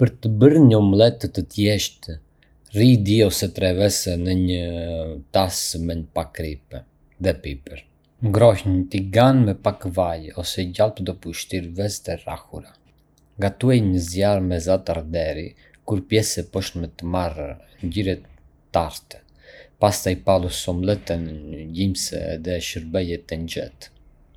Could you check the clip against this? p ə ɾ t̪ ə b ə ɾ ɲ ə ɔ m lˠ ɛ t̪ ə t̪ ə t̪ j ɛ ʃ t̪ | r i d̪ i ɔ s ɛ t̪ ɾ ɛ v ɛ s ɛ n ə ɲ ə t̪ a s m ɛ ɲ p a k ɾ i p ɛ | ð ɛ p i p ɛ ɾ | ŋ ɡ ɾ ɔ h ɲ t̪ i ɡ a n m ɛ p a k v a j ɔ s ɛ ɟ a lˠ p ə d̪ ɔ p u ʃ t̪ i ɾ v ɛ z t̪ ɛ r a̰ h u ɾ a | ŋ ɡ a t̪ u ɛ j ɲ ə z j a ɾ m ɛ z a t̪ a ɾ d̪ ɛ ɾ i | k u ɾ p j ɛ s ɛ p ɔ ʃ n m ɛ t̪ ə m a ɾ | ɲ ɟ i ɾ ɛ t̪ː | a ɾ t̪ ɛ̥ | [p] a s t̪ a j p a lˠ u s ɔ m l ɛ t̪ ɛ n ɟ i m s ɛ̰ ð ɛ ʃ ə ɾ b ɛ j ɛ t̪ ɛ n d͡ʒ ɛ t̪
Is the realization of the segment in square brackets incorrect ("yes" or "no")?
no